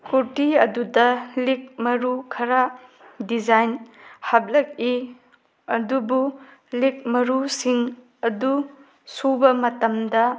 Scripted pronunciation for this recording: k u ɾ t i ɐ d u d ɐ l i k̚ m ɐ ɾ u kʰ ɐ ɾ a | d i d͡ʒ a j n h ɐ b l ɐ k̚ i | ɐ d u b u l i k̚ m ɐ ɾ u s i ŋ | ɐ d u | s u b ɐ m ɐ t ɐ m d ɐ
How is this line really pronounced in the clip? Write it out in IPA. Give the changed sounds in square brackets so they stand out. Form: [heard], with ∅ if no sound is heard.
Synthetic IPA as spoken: k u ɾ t i ɐ d u d ɐ l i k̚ m ɐ ɾ u kʰ ɐ ɾ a | d i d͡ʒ a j n h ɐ b l ɐ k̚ i | ɐ d u b u l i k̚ m ɐ ɾ u s i ŋ | ɐ d u | s u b ɐ m ɐ t ɐ m d ɐ